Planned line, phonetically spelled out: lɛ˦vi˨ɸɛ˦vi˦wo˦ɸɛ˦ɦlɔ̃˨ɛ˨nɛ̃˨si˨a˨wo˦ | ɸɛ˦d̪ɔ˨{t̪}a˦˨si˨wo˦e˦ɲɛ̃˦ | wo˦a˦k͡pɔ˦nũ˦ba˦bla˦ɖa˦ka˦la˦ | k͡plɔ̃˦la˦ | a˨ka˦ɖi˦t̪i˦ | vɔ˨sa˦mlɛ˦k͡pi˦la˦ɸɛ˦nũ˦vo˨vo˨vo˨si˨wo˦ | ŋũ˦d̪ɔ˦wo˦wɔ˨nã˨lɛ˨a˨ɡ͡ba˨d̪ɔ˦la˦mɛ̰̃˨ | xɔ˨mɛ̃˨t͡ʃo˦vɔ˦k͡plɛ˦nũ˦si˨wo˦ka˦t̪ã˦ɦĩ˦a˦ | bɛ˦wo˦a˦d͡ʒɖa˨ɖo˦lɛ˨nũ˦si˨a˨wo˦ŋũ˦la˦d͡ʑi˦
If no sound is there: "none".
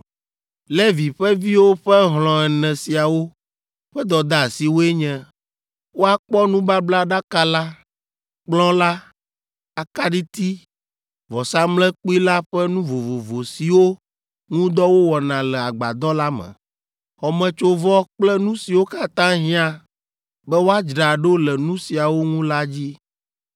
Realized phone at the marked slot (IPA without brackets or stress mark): d̪